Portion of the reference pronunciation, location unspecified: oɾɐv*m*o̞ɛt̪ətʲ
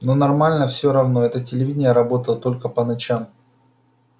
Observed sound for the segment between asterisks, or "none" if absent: n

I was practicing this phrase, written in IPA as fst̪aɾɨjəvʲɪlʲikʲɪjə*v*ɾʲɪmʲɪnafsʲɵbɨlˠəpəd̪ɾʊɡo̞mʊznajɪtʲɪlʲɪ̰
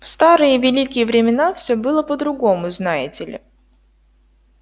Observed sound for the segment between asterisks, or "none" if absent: v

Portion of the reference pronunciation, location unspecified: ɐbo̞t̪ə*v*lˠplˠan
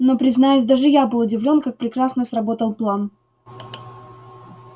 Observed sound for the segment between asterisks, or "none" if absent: none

